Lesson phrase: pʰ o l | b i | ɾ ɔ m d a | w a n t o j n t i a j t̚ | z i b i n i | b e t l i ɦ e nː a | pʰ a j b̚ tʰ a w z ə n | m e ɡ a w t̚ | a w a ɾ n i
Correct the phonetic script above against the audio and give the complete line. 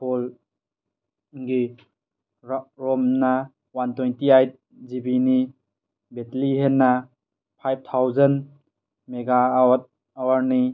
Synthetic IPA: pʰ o l | ɡ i | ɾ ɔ m n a | w a n t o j n t i a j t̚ | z i b i n i | b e t l i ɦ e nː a | pʰ a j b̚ tʰ a w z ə n | m e ɡ a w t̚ | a w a ɾ n i